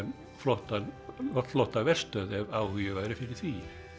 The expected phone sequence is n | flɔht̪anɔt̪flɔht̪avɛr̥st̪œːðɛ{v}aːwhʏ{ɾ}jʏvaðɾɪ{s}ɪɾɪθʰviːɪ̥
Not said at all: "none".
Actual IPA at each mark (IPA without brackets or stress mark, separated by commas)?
v, none, f